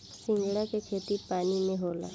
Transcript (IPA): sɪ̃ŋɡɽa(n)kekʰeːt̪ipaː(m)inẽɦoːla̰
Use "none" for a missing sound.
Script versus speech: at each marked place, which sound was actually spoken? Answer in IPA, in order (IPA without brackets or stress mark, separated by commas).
none, n